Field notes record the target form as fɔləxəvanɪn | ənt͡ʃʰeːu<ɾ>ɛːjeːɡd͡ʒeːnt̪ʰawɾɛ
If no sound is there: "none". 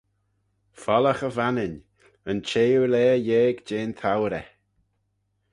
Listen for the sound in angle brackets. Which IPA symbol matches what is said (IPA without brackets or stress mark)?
l